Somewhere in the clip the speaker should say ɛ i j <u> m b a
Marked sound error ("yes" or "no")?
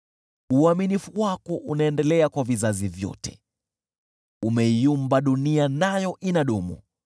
no